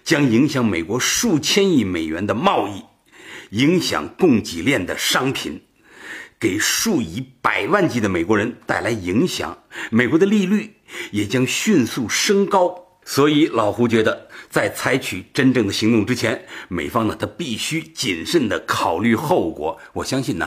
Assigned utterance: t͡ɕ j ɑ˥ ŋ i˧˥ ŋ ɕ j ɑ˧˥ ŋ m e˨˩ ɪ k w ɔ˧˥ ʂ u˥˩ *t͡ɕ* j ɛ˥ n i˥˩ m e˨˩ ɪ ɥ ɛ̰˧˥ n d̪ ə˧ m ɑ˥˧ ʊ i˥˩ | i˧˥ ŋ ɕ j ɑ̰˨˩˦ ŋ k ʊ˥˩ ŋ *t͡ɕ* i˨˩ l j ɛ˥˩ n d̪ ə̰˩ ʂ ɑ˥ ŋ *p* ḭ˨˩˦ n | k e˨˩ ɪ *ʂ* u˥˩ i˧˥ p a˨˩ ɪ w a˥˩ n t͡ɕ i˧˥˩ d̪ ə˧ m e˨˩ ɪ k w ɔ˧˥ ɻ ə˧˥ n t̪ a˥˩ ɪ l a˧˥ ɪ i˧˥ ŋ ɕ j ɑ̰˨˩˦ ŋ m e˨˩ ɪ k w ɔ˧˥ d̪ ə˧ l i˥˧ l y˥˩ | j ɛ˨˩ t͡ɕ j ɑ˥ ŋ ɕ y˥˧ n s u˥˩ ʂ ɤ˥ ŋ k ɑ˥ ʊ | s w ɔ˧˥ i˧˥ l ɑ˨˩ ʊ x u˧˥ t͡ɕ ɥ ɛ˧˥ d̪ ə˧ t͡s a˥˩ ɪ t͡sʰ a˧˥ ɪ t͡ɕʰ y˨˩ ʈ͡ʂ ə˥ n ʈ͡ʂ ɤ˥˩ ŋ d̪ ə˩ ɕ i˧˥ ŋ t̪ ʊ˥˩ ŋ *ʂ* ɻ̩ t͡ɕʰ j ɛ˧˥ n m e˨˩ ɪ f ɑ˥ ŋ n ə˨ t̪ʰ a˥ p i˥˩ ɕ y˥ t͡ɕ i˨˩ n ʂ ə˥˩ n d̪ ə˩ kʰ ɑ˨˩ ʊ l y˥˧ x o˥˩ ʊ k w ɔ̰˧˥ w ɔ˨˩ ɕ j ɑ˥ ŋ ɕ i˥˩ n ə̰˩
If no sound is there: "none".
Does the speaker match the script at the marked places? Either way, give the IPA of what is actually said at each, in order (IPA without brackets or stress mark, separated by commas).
t͡ɕʰ, t͡ɕ, pʰ, ʂ, ʈ͡ʂ